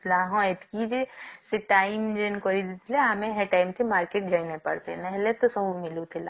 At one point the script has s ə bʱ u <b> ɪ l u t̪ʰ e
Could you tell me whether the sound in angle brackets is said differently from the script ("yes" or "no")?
yes